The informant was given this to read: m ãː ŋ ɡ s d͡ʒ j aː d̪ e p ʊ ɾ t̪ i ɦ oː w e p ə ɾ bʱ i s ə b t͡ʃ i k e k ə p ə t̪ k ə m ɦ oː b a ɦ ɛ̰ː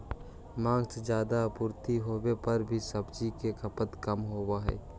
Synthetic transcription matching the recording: m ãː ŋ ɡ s d͡ʒ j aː d̪ a p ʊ ɾ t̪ i ɦ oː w e p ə ɾ bʱ i s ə b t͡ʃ i k e k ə p ə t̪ k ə m ɦ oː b a ɦ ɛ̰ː